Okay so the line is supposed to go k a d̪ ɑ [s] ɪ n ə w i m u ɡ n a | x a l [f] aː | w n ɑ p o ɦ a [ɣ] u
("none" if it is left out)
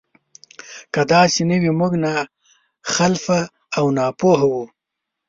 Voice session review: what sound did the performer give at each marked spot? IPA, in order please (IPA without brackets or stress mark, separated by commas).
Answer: s, f, w